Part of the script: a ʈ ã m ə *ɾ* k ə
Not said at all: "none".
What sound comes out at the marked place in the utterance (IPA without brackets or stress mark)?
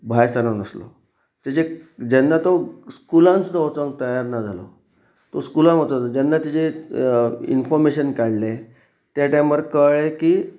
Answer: ɾ